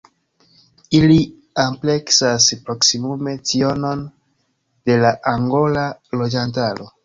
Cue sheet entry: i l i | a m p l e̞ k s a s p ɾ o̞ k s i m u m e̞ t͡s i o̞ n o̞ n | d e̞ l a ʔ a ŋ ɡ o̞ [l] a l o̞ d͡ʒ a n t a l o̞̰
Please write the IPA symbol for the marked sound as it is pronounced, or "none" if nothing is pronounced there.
l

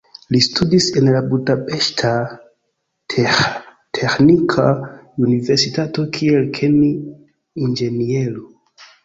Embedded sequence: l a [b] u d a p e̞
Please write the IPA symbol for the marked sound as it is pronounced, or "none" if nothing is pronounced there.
b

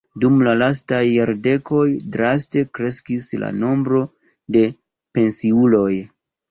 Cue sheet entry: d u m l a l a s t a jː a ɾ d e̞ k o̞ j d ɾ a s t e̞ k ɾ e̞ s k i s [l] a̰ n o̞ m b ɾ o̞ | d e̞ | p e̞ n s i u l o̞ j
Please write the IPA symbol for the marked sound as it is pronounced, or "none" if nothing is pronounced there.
l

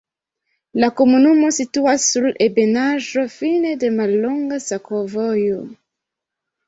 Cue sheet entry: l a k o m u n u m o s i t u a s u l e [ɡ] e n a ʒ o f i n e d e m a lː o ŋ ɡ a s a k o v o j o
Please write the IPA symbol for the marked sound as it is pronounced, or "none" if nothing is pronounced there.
b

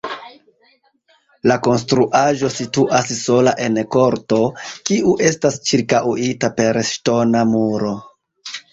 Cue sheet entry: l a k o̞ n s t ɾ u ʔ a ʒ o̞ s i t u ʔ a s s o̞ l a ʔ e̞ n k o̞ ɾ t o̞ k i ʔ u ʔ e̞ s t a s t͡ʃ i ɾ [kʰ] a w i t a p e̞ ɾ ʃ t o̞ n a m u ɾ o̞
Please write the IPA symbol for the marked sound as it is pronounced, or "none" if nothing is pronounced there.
k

